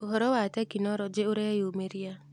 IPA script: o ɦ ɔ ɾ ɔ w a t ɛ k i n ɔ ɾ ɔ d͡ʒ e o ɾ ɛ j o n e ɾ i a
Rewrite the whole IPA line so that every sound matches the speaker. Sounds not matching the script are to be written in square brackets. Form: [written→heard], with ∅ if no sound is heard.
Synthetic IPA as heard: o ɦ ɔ ɾ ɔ w a t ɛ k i n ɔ ɾ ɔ d͡ʒ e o ɾ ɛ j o [n→m] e ɾ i a

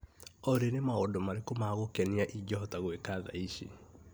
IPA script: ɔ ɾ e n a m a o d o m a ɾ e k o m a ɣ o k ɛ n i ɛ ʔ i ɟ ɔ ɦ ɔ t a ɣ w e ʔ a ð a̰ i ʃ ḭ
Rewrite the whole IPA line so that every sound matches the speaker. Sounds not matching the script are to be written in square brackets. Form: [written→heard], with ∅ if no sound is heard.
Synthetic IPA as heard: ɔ ɾ e n [a→e] m a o d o m a ɾ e k o m a ɣ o k ɛ n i [ɛ→a] ʔ i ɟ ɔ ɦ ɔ t a ɣ w e [ʔ→k] a ð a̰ i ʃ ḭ

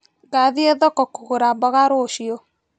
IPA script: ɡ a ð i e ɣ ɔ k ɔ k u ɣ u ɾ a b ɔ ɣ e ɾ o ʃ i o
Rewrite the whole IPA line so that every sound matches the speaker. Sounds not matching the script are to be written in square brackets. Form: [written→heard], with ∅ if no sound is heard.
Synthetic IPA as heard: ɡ a ð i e [ɣ→ð] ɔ k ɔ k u ɣ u ɾ a b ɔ ɣ [e→a] ɾ o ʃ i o

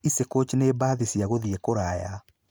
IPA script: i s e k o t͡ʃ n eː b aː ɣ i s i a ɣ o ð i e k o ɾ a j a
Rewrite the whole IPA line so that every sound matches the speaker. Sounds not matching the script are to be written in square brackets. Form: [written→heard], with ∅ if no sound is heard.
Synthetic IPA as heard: i s e k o t͡ʃ n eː b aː [ɣ→ð] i s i a ɣ o ð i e k o ɾ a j a

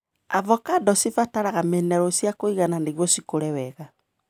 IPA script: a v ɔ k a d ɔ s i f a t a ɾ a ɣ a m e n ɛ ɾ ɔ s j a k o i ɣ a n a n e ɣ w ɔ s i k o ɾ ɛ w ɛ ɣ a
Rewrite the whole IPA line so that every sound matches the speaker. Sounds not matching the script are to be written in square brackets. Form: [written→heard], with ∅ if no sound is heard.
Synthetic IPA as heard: a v ɔ k a d ɔ s i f a t a ɾ a ɣ a m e n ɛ ɾ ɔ s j a k o i ɣ a n a n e ɣ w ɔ s i k o ɾ ɛ w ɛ ɣ a

